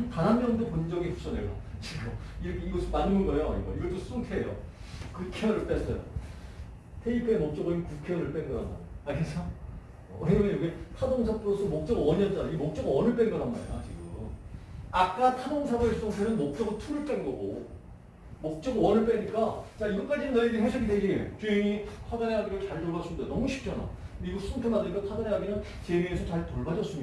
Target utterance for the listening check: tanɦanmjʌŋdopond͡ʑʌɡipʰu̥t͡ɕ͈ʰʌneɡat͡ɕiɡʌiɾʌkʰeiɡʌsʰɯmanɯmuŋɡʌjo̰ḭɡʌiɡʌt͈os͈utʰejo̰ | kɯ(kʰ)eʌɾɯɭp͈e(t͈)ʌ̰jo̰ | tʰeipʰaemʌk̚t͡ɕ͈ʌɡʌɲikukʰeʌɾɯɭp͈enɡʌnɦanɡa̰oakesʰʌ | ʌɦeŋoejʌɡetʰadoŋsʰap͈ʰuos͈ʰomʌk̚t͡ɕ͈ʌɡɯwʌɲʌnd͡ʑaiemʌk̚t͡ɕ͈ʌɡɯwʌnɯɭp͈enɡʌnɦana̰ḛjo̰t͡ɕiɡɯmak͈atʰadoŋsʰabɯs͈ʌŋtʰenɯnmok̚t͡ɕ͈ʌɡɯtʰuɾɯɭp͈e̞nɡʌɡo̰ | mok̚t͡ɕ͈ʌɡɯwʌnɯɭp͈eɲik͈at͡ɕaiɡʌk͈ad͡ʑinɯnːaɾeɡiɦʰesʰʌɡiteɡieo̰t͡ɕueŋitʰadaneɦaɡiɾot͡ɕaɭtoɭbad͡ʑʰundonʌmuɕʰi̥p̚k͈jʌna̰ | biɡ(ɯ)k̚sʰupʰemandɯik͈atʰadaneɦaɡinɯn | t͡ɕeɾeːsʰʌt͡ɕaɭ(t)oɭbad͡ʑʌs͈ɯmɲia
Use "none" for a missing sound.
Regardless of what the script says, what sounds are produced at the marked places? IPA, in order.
kʰ, s͈, u, t

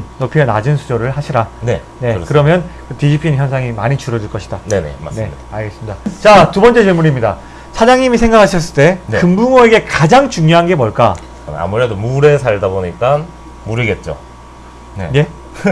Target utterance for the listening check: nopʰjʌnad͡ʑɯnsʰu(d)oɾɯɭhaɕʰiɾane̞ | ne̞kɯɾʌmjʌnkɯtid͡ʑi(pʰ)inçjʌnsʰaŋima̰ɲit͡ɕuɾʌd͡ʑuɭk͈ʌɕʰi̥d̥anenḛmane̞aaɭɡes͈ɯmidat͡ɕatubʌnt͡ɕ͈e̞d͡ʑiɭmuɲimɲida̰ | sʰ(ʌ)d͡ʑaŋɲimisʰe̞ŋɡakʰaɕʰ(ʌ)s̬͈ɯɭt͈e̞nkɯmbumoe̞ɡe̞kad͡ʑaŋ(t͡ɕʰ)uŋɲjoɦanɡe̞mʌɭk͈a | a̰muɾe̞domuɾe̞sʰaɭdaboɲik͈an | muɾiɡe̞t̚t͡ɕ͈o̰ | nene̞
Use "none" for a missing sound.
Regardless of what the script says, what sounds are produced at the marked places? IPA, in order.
d͡ʑ, pʰ, a, ʌ, t͡ɕ

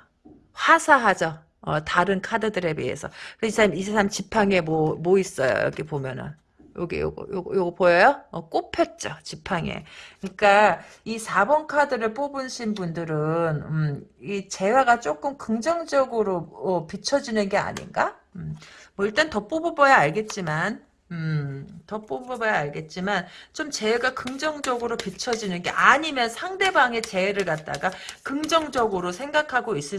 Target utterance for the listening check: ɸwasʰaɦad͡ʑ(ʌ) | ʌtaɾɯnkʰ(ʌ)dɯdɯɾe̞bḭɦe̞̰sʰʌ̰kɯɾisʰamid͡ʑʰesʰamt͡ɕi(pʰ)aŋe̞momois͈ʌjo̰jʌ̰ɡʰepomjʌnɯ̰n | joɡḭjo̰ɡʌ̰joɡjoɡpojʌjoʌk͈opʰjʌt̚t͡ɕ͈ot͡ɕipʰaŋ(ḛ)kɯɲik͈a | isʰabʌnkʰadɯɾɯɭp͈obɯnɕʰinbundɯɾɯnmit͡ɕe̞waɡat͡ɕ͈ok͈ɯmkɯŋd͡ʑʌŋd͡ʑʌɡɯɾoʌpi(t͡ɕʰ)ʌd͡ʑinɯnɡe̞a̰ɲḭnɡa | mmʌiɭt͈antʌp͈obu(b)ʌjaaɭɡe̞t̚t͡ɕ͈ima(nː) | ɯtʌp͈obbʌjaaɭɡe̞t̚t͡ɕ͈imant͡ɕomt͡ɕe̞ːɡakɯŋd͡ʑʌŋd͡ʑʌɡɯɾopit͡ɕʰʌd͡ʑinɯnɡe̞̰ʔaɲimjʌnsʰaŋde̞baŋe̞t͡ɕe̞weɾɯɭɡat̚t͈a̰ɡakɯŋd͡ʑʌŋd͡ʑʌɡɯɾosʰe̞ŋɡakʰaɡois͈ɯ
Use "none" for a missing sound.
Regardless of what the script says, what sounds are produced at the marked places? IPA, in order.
ʌ, a, pʰ, ḛ, t͡ɕʰ, b, n

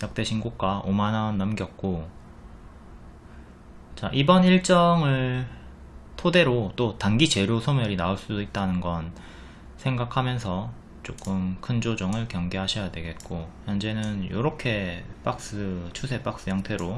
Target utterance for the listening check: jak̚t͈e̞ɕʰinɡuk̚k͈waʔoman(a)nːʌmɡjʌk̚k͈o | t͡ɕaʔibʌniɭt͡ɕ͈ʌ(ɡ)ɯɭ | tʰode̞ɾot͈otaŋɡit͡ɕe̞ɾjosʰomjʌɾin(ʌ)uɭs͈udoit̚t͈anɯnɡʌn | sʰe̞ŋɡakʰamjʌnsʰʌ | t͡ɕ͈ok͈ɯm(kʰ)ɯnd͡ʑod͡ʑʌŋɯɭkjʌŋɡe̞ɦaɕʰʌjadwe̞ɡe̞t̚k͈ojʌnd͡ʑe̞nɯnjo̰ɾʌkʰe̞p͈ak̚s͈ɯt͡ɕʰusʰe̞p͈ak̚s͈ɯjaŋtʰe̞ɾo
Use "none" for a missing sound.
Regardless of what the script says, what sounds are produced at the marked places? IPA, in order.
a, ŋ, a, kʰ

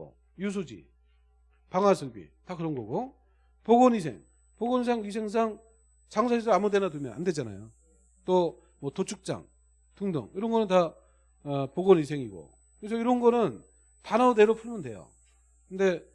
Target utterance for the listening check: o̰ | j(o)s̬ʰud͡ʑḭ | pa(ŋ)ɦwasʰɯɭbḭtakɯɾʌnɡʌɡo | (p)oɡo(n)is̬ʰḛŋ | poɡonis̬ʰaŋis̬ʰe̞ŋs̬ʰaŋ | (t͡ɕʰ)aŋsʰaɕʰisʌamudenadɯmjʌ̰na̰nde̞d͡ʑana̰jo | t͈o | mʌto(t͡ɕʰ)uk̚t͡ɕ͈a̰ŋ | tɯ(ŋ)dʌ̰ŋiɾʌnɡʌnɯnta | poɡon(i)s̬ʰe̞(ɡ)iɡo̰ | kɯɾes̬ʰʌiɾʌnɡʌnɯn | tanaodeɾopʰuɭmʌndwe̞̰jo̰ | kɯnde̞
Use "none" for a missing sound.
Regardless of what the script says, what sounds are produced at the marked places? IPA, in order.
u, ŋ, p, n, t͡ɕ, t͡ɕʰ, ŋ, i, ŋ

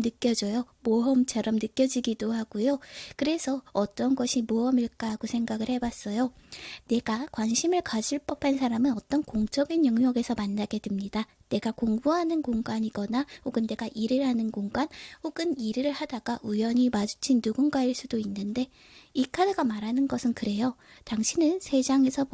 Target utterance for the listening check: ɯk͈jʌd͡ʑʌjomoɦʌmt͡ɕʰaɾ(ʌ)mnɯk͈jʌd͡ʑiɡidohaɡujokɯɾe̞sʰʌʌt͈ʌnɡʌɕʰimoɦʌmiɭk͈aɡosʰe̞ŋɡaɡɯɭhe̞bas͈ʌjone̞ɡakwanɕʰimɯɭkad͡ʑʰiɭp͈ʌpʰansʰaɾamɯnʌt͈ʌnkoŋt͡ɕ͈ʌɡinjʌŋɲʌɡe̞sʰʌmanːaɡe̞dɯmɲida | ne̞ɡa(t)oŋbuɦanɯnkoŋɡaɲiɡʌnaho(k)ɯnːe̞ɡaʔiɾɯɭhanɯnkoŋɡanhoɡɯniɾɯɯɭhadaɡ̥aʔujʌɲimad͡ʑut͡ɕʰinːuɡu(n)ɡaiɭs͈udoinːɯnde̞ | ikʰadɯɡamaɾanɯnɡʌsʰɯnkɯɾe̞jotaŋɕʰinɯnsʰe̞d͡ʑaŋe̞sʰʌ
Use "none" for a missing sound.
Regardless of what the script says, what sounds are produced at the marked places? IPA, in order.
ʌ, k, ɡ, n

